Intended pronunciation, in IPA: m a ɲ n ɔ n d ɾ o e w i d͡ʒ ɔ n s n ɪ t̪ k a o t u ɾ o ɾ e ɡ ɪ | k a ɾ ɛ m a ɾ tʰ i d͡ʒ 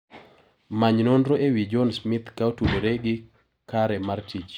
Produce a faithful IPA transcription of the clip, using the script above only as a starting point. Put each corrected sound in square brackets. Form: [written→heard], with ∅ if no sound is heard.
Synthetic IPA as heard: m a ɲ n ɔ n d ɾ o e w i d͡ʒ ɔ n s [n→m] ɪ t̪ k a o t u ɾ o ɾ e ɡ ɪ | k a ɾ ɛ m a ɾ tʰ i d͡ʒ